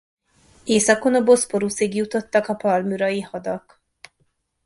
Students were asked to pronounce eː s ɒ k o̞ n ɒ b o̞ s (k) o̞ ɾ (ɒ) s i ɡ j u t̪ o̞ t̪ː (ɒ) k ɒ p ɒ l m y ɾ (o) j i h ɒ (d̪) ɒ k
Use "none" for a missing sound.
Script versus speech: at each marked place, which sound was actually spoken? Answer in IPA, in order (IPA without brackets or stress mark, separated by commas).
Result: p, u, ɒ, ɒ, d̪